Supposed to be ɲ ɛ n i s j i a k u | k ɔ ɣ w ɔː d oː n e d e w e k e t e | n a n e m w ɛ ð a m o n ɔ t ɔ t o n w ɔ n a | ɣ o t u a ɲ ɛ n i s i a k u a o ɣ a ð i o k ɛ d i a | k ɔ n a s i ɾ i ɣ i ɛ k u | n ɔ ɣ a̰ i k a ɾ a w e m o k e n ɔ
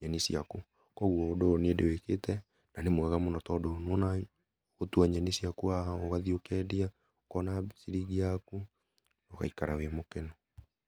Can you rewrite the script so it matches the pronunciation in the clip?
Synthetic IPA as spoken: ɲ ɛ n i s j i a k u | k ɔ ɣ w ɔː d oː n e d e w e k e t ɛ | n a n e m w ɛ ɣ a m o n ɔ t ɔ d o n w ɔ n a | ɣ o t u a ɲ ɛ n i s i a k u a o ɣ a ð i o k ɛ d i a | k ɔ n a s i ɾ i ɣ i a k u | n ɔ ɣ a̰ i k a ɾ a w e m o k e n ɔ